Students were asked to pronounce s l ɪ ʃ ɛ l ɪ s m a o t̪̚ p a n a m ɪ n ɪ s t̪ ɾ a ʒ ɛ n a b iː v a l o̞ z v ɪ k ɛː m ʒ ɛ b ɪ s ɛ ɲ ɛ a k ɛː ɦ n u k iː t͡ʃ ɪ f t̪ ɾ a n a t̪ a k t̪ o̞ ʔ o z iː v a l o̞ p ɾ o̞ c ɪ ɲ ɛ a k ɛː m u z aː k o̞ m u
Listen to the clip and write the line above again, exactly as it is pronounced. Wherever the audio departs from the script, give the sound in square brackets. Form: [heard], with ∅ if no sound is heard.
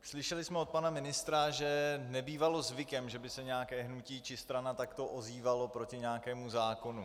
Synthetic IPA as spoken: s l ɪ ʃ ɛ l ɪ s m [ɛ] o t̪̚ p a n a m ɪ n ɪ s t̪ ɾ a ʒ ɛ n [ɛ] b iː v a l o̞ z v ɪ k [ɛ] m ʒ ɛ b ɪ s ɛ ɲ ɛ a k ɛː ɦ n u [c] iː t͡ʃ ɪ [s] t̪ ɾ a n a t̪ a k t̪ o̞ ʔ o z iː v a l o̞ p ɾ o̞ c ɪ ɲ ɛ a k ɛː m u z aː k o̞ [n] u

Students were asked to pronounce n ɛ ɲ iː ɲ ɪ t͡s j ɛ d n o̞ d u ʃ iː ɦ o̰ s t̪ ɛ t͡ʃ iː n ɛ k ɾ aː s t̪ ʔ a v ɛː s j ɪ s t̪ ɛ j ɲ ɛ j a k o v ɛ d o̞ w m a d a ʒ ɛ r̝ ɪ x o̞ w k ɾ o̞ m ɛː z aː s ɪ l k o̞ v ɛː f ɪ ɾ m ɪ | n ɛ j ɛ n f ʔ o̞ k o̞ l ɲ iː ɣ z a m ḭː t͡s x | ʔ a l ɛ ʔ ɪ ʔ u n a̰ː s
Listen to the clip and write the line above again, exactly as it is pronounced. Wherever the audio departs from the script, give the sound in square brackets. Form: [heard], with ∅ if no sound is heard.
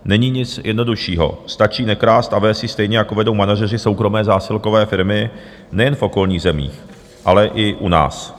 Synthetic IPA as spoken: n ɛ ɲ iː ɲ ɪ t͡s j ɛ d n o̞ d u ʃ iː ɦ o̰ s t̪ [a] t͡ʃ iː n ɛ k ɾ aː s t̪ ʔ a v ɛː s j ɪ s t̪ ɛ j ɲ ɛ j a k o v ɛ d o̞ w m a [n] a ʒ ɛ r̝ ɪ [s] o̞ w k ɾ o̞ m ɛː z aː s ɪ l k o̞ v ɛː f ɪ ɾ m ɪ | n ɛ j ɛ n f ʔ o̞ k o̞ l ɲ iː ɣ z [ɛ] m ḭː [∅] x | ʔ a l ɛ ʔ ɪ ʔ u n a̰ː s

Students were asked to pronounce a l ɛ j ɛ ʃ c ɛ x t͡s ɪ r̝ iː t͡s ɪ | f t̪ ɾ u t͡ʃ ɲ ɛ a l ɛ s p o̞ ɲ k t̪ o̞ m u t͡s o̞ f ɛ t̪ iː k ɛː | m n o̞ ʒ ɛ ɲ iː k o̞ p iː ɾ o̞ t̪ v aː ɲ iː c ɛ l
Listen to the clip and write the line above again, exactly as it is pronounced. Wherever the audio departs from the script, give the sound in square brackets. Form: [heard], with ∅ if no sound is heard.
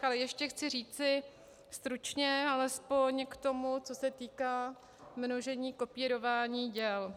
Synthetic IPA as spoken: a l ɛ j ɛ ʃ c ɛ x t͡s ɪ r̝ iː t͡s ɪ | [s] t̪ ɾ u t͡ʃ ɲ ɛ a l ɛ s p o̞ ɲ k t̪ o̞ m u t͡s o̞ [s] ɛ t̪ iː k [aː] | m n o̞ ʒ ɛ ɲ iː k o̞ p iː ɾ o̞ [∅] v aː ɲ iː [ɟ] ɛ l

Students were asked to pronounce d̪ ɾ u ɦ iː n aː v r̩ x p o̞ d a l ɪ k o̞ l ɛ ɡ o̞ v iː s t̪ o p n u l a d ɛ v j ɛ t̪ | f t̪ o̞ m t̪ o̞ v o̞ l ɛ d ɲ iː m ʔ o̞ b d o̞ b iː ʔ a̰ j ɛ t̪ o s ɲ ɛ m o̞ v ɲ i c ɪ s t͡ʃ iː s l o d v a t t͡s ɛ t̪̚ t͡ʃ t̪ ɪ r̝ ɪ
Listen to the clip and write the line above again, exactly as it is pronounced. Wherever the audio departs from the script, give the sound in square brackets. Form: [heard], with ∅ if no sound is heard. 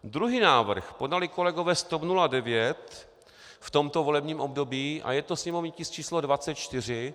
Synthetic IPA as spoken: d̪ ɾ u ɦ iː n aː v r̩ x p o̞ d a l ɪ k o̞ l ɛ ɡ o̞ v [ɛː] s t̪ o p n u l a d ɛ v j ɛ t̪ | f t̪ o̞ m t̪ o̞ v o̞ l ɛ [b] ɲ iː m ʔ o̞ b d o̞ b iː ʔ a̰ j ɛ t̪ o s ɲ ɛ m o̞ v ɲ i c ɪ s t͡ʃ iː s l o d v a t t͡s ɛ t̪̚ t͡ʃ t̪ ɪ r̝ ɪ

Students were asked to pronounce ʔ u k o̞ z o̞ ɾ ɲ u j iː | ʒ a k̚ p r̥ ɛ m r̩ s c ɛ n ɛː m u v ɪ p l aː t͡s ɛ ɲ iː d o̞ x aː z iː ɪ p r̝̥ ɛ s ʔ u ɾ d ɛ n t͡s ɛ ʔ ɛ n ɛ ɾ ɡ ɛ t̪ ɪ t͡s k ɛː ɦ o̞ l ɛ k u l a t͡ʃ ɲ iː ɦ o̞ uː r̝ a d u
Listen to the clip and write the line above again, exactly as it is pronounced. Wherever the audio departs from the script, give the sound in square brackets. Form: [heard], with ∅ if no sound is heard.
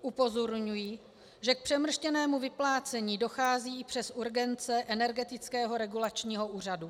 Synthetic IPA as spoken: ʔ u [p] o̞ z o̞ ɾ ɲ u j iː | ʒ [ɛ] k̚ p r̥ ɛ m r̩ [ʃ] c ɛ n ɛː m u v ɪ p l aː t͡s ɛ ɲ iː d o̞ x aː z iː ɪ p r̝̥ ɛ s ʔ u ɾ [ɡ] ɛ n t͡s ɛ ʔ ɛ n ɛ ɾ ɡ ɛ t̪ ɪ t͡s k ɛː ɦ o̞ [ɾ] ɛ [ɡ] u l a t͡ʃ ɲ iː ɦ o̞ uː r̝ a d u

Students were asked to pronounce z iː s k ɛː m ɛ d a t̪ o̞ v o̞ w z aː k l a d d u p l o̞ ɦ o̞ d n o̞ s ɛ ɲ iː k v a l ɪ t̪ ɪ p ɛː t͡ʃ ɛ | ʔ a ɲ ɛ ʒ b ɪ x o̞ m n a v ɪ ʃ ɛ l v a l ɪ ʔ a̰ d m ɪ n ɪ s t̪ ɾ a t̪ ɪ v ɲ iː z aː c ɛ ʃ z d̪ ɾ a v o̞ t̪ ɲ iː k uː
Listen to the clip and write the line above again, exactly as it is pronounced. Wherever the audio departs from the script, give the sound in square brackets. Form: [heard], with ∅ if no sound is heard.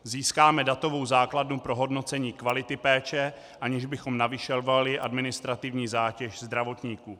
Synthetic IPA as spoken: z iː s k [aː] m ɛ d a t̪ o̞ v o̞ w z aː k l a d [n] u p [ɾ] o̞ ɦ o̞ d n o̞ [t͡s] ɛ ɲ iː k v a l ɪ t̪ ɪ p ɛː t͡ʃ ɛ | ʔ a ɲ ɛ ʒ b ɪ x o̞ m n a v ɪ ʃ ɛ l v a l ɪ ʔ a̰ d m ɪ n ɪ s t̪ ɾ a t̪ ɪ v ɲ iː z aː c ɛ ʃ z d̪ ɾ a v o̞ t̪ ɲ iː k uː

